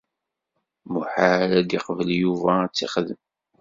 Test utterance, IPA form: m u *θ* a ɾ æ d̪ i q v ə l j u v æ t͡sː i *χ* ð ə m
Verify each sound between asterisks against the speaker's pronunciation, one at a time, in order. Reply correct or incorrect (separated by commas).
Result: incorrect, correct